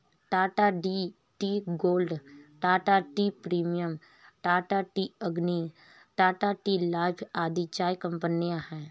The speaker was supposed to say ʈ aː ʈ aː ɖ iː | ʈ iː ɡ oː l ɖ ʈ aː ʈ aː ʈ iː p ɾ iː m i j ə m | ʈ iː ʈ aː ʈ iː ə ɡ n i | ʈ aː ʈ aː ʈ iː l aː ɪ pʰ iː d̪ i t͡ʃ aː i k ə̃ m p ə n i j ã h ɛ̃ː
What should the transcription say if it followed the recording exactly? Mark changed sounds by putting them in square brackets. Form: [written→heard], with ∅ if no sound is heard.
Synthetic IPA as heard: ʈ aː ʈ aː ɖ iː | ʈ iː ɡ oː l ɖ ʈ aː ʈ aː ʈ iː p ɾ iː m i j ə m | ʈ [iː→aː] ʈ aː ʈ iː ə ɡ n i | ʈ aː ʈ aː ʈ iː l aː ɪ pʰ [iː→aː] d̪ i t͡ʃ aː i k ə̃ m p ə n i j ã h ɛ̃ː